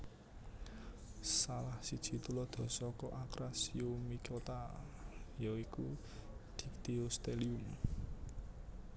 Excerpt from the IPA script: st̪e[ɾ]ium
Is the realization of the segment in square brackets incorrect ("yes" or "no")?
yes